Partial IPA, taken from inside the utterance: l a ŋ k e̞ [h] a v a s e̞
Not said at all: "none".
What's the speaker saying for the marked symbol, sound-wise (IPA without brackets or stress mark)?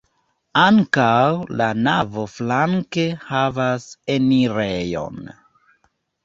h